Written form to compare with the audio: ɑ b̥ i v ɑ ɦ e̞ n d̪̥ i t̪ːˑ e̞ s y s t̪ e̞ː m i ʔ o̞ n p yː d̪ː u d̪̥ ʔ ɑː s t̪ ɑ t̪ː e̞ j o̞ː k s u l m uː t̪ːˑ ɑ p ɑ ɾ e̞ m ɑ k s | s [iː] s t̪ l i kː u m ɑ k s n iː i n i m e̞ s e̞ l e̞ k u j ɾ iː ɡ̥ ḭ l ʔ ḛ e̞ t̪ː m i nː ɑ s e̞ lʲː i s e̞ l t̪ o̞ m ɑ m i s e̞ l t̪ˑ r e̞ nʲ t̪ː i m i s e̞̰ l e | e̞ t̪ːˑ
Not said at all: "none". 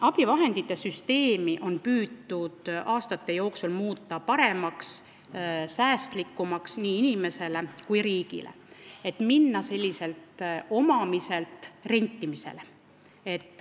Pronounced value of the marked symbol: æː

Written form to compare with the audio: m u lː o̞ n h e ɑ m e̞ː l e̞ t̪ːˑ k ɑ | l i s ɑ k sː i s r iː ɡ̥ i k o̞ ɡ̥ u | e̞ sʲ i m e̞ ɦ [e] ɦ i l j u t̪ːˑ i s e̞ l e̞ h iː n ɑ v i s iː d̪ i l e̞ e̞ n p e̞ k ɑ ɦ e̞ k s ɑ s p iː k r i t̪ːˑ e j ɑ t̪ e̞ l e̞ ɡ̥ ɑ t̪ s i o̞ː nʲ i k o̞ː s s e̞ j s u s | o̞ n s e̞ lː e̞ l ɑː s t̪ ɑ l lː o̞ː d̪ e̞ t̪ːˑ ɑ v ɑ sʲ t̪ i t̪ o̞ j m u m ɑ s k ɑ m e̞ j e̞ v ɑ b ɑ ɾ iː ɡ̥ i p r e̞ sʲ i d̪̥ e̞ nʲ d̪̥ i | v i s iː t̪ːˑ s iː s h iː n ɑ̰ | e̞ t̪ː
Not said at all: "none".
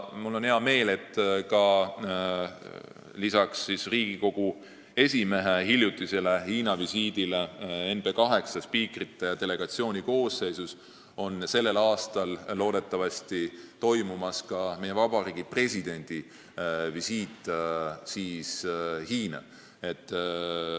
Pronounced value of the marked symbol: e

